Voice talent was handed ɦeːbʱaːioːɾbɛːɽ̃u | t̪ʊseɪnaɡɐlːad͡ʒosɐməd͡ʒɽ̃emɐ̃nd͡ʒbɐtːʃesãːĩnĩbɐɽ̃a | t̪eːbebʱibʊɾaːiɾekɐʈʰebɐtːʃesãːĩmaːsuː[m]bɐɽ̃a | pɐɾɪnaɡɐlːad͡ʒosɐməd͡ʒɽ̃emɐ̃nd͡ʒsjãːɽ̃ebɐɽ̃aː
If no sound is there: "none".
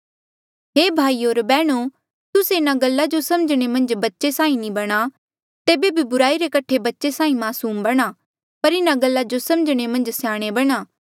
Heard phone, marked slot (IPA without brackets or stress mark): m